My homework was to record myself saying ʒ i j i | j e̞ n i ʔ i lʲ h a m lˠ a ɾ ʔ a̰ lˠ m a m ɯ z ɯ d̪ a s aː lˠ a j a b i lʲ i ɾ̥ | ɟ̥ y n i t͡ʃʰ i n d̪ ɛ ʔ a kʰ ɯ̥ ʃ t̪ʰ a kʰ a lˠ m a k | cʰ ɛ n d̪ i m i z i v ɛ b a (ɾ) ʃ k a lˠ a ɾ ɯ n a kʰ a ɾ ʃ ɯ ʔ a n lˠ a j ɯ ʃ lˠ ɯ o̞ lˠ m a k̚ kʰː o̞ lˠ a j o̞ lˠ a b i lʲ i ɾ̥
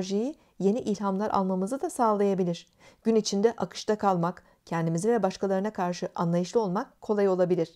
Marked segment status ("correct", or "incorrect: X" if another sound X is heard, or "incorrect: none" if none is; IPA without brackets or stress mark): incorrect: none